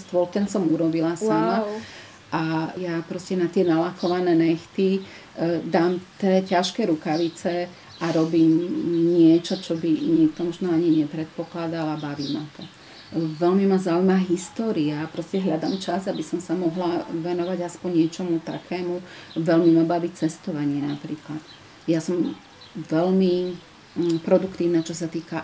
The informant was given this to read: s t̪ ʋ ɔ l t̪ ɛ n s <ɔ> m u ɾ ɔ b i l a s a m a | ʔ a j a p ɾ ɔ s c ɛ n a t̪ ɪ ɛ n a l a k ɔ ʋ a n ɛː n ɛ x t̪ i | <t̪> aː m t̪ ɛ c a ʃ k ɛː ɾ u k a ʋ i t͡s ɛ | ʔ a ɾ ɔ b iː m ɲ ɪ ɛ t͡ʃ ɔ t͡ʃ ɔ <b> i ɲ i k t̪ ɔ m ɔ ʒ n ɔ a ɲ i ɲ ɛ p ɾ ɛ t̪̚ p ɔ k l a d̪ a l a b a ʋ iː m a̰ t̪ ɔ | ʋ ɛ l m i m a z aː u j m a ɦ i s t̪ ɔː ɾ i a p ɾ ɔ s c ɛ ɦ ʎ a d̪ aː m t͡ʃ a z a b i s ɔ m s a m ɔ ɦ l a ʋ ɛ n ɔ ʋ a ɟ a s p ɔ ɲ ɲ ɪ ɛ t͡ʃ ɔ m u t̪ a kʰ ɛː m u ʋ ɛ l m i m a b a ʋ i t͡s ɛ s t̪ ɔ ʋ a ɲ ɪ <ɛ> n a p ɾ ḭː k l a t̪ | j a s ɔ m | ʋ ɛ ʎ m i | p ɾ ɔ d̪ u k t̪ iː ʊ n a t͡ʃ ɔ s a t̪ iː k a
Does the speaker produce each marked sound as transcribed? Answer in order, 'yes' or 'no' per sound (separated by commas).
yes, no, yes, yes